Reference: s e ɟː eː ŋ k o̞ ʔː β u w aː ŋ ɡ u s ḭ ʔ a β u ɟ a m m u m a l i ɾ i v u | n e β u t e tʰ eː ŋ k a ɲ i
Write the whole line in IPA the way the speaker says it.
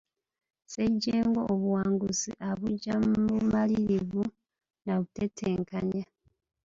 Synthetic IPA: s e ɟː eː ŋ ɡ o̞ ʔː β u w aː ŋ ɡ u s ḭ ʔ a β u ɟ a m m u m a l i ɾ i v u | n a β u t e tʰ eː ŋ k a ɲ a